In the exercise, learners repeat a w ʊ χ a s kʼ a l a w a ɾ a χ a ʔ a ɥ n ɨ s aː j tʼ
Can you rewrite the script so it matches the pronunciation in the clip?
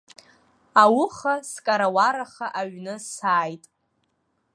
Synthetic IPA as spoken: a w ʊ χ a s kʼ a ɾ a w a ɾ a χ a ʔ a ɥ n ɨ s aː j tʼ